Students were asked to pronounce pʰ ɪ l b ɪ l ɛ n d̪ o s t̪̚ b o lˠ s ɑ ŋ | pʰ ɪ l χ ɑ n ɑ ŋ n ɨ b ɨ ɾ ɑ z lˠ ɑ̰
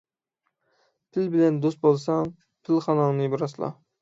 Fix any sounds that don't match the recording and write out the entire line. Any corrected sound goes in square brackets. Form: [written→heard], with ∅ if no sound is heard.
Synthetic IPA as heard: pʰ ɪ l b ɪ l ɛ n d̪ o s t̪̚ b o lˠ s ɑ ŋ | pʰ ɪ l χ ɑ n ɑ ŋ n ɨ b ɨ ɾ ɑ [z→s] lˠ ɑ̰